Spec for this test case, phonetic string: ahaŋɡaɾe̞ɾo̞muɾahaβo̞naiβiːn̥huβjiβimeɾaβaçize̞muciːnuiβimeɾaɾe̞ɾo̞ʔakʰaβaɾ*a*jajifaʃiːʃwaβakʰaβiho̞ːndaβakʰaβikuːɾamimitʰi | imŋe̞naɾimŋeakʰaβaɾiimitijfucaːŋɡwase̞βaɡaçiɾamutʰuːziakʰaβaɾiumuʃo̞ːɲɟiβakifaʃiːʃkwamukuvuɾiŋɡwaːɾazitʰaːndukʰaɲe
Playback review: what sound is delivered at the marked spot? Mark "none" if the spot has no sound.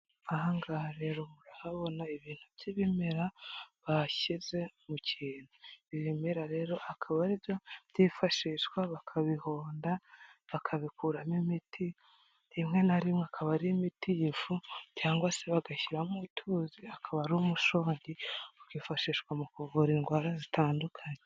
i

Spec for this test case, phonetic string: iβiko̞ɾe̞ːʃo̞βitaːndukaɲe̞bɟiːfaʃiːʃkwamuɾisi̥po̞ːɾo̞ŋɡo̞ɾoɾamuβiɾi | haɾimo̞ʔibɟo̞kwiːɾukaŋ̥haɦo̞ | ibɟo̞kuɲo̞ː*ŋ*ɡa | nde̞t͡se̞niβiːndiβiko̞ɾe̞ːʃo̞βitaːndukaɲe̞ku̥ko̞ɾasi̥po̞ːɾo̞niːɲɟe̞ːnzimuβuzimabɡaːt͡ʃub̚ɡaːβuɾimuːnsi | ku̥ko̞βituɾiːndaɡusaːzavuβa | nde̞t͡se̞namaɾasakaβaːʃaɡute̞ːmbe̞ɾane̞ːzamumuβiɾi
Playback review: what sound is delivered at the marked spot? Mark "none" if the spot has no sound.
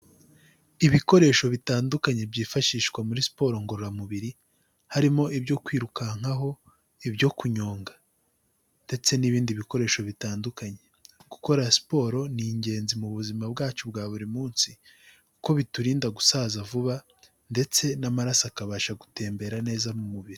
ŋ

